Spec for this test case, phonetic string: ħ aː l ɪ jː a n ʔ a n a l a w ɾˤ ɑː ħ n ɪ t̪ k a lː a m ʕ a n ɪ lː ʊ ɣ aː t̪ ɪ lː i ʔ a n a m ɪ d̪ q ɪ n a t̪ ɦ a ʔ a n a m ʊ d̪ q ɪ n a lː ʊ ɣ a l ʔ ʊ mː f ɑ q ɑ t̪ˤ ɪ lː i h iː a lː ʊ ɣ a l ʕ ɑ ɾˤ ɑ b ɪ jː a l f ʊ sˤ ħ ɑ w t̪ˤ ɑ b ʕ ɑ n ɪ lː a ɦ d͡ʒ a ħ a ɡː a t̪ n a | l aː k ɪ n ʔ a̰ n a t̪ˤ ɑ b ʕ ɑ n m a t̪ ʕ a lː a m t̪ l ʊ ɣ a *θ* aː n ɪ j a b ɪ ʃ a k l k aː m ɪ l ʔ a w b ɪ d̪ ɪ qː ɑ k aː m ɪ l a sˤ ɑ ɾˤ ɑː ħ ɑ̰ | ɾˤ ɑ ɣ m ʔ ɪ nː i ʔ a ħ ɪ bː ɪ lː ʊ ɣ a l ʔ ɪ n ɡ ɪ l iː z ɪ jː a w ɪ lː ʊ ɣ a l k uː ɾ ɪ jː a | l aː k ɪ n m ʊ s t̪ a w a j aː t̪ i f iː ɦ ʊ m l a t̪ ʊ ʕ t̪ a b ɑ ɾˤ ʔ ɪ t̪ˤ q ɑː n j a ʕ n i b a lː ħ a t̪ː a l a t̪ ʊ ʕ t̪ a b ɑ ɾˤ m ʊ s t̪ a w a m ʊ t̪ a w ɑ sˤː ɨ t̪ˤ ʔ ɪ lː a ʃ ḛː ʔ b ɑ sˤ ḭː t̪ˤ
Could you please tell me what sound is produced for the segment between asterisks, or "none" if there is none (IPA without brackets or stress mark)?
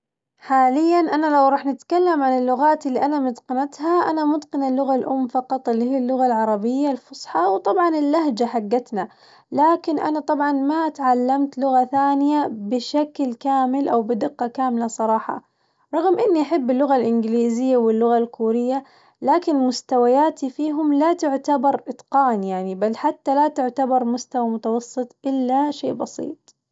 θ